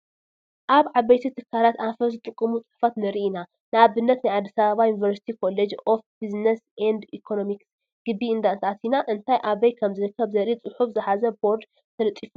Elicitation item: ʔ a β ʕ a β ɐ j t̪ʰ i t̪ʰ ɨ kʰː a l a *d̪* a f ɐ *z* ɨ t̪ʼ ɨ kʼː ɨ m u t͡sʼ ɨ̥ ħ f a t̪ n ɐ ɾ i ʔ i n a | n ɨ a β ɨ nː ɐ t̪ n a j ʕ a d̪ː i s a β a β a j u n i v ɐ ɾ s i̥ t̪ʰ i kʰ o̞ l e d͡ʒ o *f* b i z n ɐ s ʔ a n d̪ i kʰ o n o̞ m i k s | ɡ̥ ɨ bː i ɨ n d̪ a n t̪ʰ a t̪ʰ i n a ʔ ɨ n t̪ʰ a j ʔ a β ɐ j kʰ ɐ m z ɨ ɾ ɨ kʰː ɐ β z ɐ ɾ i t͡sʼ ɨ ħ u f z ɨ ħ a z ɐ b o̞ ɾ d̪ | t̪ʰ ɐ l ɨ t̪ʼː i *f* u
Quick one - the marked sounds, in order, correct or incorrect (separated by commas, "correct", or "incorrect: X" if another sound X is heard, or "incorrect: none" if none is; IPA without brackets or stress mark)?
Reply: incorrect: t̪, correct, correct, correct